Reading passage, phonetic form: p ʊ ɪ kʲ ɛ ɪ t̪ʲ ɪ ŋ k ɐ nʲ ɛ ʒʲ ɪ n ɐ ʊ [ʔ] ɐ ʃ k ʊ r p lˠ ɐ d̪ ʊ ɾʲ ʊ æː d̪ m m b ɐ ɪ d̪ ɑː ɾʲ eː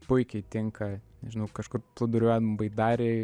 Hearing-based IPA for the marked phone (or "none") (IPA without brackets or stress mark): k